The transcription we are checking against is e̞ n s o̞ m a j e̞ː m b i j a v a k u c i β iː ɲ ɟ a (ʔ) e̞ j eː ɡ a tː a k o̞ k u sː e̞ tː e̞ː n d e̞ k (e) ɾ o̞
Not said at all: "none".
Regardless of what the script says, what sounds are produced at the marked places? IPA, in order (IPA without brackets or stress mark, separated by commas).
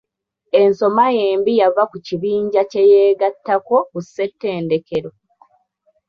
c, e